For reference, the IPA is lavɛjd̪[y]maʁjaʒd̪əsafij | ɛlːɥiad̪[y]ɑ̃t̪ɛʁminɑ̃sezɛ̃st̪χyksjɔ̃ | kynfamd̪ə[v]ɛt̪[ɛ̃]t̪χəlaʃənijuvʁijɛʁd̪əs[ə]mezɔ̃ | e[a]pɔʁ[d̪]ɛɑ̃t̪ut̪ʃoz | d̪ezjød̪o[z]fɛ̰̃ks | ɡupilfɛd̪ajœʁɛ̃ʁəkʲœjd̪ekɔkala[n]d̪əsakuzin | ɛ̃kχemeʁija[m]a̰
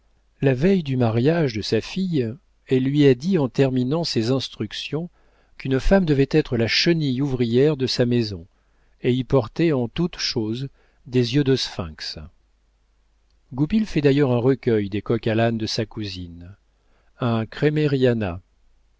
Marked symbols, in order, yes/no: yes, no, yes, no, no, no, no, no, yes, no

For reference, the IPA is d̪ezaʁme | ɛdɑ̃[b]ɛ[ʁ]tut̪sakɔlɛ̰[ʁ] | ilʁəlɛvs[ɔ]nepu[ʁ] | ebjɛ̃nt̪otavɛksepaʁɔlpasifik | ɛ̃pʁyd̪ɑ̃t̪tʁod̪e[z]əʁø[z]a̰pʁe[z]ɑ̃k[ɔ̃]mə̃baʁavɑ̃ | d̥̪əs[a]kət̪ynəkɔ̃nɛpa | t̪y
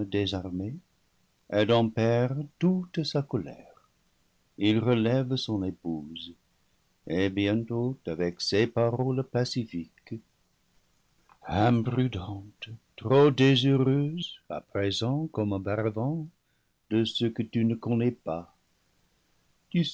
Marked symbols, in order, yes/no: no, yes, yes, no, no, yes, yes, yes, no, no

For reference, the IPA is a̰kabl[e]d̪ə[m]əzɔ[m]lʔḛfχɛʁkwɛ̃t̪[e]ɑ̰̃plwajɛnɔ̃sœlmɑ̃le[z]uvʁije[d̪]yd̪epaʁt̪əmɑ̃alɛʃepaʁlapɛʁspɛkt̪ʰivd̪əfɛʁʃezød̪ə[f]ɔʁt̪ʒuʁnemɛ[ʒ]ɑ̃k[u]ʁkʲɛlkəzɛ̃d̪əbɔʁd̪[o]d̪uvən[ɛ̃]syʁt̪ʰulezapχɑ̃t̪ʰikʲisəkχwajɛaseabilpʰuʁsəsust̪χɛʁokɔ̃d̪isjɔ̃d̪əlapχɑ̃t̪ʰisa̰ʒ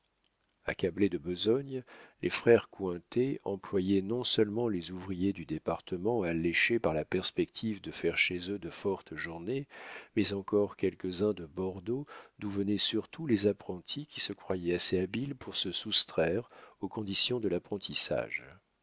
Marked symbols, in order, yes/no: yes, no, no, yes, yes, yes, yes, no, no, yes, no

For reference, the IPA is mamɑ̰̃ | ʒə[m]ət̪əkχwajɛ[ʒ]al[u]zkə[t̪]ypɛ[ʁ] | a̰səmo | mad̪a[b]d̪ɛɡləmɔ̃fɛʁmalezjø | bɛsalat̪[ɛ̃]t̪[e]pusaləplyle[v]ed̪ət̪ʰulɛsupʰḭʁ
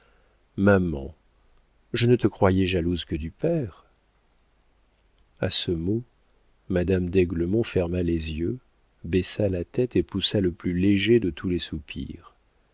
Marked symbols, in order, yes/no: no, yes, yes, no, yes, no, no, yes, no

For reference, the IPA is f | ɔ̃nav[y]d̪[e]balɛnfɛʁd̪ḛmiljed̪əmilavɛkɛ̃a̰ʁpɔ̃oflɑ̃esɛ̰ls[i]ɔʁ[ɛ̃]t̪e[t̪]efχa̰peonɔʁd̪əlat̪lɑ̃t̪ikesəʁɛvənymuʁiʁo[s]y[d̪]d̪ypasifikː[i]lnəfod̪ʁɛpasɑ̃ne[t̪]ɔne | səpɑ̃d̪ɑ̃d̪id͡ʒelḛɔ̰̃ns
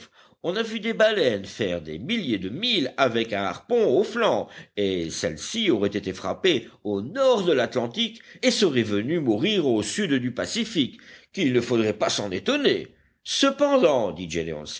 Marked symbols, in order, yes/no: yes, yes, yes, no, yes, yes, yes, yes, yes

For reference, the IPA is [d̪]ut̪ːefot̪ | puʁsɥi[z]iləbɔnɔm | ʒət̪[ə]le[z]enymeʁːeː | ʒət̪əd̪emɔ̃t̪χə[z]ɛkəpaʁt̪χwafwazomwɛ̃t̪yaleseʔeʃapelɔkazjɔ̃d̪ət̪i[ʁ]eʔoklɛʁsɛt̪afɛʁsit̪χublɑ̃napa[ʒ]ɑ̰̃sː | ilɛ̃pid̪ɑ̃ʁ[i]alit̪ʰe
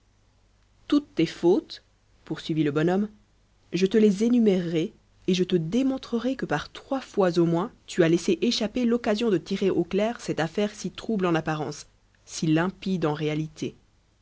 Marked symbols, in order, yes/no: no, no, yes, yes, no, yes, no, no

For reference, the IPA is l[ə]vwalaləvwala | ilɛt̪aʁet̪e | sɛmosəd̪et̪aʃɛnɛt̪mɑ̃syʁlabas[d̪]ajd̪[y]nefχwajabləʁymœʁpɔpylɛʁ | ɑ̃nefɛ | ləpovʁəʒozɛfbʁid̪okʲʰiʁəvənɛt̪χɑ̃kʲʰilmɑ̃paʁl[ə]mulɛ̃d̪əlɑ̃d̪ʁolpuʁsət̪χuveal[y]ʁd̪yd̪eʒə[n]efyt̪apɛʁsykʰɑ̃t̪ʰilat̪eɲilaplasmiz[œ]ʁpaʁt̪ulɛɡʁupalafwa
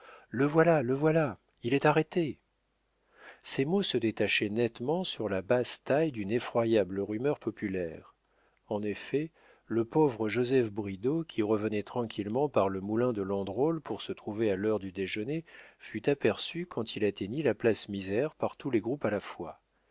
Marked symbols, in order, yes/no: yes, no, yes, yes, no, yes, no

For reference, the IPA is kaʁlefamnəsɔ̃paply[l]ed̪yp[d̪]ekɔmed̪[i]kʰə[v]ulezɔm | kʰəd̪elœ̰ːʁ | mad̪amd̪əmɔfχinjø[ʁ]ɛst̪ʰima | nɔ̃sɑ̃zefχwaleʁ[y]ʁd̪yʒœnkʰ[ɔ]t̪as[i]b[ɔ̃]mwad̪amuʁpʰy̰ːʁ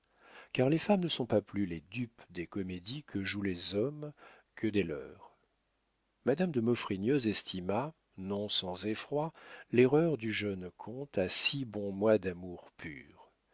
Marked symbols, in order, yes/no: yes, yes, yes, no, no, no, no, yes, yes

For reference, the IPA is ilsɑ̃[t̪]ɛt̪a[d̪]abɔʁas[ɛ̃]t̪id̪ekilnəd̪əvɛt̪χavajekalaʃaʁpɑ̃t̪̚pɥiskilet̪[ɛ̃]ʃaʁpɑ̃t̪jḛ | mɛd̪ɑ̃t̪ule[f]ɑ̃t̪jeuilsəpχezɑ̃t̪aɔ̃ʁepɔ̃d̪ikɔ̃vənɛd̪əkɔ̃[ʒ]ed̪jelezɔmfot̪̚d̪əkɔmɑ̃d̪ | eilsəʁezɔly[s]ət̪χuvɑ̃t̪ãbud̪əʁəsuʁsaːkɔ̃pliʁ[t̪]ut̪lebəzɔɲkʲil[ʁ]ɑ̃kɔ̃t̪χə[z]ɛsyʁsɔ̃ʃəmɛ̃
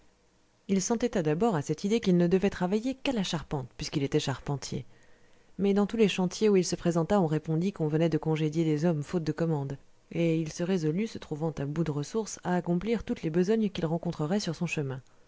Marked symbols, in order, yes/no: yes, yes, no, no, no, yes, yes, yes, yes, no

